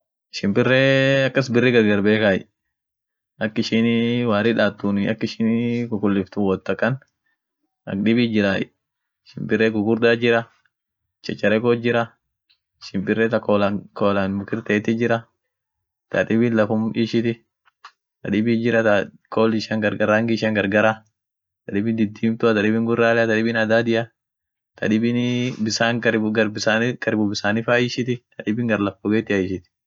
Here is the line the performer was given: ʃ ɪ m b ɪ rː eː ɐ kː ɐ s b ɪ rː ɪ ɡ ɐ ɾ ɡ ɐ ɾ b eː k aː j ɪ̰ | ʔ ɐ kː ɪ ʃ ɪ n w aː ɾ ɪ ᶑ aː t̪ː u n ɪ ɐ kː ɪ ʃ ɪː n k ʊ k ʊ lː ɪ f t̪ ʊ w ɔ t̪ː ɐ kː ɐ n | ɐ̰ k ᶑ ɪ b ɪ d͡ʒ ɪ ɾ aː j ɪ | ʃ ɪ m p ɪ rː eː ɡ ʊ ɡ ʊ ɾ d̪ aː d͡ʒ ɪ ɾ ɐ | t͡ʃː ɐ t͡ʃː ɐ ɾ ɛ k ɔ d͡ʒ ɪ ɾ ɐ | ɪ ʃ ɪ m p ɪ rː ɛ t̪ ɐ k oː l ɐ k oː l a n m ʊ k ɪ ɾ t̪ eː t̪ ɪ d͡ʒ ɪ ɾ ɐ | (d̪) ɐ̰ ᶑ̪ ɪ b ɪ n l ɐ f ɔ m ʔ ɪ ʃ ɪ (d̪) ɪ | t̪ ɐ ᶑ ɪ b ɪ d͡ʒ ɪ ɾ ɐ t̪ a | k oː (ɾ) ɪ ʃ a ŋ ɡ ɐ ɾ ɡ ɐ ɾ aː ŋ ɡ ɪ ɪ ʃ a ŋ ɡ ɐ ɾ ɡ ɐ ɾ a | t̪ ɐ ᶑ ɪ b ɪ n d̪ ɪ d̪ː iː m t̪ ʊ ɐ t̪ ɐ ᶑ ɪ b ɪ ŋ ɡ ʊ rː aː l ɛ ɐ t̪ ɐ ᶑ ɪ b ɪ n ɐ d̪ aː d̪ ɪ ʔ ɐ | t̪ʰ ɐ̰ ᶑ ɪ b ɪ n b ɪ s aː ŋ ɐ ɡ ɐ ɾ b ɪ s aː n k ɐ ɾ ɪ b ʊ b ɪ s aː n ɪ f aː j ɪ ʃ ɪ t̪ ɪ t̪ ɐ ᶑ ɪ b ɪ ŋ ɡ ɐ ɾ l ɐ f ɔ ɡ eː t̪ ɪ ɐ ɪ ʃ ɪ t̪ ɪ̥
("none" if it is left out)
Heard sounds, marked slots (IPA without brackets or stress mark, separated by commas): t̪, t̪, l